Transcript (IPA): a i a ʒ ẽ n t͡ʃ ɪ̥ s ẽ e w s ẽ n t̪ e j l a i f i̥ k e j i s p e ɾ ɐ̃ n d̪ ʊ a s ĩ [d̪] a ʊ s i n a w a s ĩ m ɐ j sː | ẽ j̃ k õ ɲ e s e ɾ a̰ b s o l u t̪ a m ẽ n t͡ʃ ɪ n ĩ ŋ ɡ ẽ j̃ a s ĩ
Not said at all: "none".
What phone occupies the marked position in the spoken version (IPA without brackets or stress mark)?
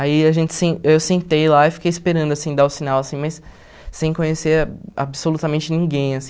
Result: d̪